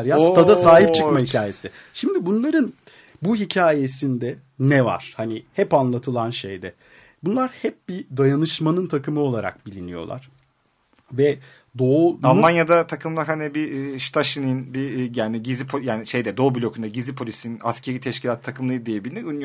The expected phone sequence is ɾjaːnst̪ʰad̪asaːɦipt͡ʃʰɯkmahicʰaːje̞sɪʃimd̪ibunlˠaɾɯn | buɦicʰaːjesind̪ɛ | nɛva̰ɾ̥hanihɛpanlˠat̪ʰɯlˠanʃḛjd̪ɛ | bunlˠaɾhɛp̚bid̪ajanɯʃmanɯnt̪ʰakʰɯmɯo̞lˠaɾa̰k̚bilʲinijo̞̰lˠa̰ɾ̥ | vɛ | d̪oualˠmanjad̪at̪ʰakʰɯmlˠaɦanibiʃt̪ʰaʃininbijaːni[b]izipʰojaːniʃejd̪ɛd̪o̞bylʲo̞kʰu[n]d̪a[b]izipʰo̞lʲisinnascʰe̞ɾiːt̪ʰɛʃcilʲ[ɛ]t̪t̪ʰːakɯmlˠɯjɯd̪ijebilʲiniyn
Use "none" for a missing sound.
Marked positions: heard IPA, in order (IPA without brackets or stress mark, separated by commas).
ɟ, n, ɟ, a